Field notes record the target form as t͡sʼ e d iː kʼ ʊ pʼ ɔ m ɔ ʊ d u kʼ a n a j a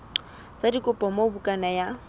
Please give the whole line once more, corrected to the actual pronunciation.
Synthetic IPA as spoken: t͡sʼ a d i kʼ ʊ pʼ ɔ m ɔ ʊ b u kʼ a n a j a